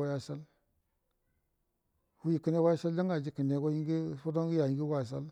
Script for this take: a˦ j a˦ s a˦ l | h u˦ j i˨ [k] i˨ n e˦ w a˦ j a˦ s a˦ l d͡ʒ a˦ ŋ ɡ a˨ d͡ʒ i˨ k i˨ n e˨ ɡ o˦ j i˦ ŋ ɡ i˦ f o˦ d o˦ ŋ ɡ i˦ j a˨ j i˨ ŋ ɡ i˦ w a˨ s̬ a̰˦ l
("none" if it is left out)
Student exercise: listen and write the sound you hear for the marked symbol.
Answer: k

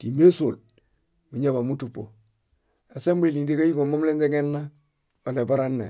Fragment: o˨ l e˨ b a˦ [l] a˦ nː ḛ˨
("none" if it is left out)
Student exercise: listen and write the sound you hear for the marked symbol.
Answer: ɾ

